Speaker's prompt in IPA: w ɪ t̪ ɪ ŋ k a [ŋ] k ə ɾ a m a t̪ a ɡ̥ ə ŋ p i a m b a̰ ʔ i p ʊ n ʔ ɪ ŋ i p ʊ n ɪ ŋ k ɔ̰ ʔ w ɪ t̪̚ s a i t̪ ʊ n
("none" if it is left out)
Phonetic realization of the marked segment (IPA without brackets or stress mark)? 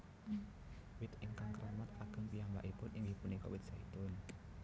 ŋ